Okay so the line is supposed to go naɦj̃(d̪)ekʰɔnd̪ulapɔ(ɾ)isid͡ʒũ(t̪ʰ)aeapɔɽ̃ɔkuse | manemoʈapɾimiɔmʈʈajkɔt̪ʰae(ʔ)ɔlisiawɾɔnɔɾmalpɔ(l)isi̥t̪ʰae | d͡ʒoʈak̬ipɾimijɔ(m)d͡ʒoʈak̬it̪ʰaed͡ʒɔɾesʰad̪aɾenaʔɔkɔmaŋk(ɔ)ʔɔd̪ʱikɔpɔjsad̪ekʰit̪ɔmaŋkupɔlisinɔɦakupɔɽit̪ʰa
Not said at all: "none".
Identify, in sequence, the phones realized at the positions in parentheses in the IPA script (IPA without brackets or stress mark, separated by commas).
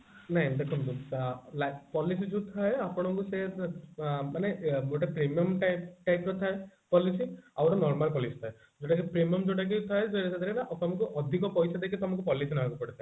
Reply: d̪, l, t̪ʰ, p, l, m, u